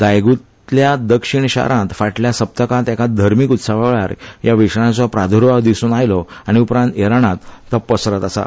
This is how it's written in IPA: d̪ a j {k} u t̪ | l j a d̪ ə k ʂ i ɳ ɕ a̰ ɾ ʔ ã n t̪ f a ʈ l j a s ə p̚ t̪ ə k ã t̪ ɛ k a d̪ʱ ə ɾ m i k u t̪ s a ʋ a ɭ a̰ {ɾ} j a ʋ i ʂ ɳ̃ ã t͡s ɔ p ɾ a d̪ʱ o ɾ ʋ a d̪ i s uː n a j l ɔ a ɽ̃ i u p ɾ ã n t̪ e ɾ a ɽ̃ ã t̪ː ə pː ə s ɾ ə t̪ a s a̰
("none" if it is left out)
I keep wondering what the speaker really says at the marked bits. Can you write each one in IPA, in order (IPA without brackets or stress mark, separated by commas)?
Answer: ɡ, ɾ